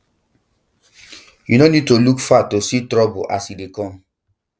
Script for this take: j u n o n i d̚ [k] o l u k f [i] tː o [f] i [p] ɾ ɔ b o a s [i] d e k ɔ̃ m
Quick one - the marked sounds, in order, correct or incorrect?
incorrect: t, incorrect: a, incorrect: s, incorrect: t, correct

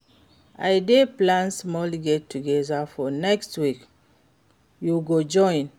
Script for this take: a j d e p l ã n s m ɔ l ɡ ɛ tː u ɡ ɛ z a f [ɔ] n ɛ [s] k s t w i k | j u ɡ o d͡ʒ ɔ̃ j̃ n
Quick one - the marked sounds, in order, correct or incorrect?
correct, incorrect: none

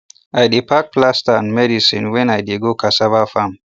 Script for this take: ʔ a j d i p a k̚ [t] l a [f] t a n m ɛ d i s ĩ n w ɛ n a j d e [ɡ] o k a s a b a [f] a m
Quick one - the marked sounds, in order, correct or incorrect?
incorrect: p, incorrect: s, correct, correct

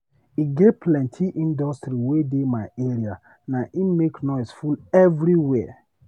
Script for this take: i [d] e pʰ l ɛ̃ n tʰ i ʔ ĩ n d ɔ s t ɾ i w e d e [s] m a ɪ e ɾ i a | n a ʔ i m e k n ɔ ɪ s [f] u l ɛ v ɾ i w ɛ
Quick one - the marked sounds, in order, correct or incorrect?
incorrect: ɡ, incorrect: none, correct

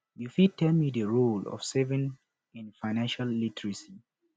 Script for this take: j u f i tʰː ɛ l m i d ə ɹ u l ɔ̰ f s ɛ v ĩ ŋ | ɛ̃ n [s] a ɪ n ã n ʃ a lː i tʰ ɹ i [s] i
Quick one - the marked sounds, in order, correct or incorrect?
incorrect: f, correct

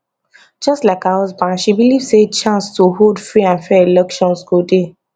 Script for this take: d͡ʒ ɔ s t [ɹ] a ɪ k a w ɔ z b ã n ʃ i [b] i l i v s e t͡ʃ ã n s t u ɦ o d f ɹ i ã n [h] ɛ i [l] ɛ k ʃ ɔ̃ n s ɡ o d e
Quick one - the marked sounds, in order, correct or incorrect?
incorrect: l, correct, incorrect: f, correct

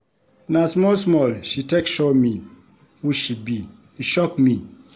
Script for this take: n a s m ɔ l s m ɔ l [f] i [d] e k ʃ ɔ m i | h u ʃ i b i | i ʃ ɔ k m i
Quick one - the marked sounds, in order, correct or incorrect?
incorrect: ʃ, incorrect: t

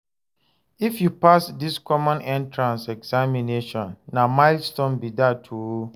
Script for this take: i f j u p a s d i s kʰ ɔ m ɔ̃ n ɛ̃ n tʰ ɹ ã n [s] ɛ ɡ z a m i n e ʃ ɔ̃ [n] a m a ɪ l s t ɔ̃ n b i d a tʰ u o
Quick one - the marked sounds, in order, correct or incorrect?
correct, incorrect: nː

